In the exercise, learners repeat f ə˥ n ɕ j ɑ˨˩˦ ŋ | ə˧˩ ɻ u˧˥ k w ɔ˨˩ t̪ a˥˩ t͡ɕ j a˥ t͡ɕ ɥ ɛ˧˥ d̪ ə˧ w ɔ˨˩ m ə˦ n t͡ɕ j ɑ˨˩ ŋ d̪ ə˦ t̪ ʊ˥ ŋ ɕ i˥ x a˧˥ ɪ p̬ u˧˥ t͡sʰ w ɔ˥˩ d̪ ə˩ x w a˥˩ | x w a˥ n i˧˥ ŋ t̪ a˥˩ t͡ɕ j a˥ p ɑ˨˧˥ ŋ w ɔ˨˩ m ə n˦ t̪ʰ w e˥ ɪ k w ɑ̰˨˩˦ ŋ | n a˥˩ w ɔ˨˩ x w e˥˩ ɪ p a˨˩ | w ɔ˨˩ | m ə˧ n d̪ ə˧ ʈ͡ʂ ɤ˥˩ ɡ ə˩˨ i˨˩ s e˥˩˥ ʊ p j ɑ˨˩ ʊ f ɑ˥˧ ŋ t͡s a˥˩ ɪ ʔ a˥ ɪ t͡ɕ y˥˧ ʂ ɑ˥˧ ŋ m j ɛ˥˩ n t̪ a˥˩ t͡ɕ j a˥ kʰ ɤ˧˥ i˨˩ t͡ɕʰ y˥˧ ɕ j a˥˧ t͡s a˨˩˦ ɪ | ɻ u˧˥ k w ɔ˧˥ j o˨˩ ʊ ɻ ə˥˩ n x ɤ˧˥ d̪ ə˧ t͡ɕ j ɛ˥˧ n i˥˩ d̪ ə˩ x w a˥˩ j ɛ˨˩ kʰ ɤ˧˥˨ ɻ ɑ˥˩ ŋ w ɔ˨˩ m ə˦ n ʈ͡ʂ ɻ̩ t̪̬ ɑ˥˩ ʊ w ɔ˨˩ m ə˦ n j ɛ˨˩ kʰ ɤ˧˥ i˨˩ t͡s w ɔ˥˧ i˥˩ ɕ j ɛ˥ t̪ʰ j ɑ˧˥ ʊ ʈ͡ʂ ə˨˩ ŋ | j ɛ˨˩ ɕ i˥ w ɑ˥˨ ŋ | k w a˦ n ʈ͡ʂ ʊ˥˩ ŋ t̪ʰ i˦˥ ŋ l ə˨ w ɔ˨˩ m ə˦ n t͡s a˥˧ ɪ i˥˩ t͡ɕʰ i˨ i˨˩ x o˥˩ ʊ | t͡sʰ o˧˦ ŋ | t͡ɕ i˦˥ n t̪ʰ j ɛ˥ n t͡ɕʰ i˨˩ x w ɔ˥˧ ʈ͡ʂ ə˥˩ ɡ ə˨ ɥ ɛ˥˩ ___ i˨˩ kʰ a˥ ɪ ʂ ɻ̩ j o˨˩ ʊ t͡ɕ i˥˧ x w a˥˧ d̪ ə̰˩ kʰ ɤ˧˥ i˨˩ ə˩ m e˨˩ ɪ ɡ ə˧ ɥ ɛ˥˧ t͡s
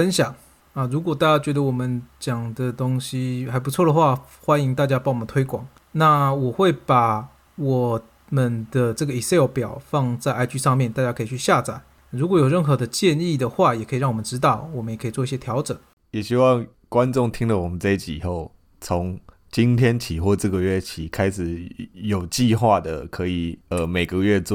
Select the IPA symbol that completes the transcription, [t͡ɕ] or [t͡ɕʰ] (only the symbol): t͡ɕʰ